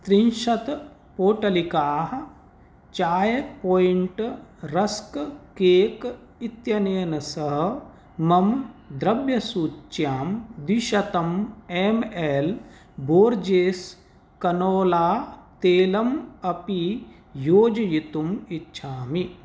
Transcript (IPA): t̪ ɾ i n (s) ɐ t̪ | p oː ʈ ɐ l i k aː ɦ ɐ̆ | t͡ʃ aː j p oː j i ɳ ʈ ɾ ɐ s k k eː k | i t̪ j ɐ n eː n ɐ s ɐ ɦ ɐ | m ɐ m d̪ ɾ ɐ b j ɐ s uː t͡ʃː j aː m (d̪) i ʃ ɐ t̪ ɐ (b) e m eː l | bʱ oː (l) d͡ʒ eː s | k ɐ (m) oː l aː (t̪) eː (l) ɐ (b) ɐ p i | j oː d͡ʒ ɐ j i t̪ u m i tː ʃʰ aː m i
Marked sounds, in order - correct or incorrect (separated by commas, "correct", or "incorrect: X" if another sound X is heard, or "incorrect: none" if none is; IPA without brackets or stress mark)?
incorrect: ʃ, correct, incorrect: m, incorrect: ɾ, incorrect: n, correct, correct, incorrect: m